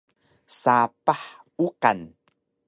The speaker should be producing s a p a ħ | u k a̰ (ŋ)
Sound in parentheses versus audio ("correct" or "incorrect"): incorrect